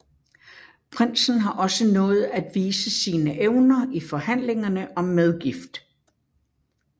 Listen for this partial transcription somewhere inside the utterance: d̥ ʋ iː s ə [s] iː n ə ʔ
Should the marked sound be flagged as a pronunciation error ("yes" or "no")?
no